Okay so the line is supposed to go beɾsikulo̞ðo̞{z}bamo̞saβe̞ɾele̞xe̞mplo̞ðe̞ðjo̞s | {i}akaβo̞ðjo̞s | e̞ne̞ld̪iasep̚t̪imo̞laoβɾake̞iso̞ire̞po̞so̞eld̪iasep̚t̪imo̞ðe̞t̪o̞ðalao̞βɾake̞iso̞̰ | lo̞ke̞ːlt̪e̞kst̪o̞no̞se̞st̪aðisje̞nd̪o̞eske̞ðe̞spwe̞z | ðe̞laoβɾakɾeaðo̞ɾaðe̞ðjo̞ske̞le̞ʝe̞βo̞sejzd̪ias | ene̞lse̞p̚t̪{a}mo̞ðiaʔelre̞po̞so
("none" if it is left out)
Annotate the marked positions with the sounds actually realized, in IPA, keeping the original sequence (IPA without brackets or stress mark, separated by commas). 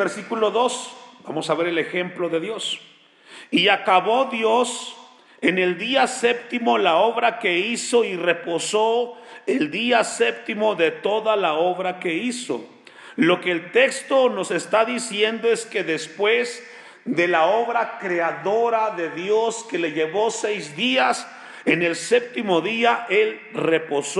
s, i, i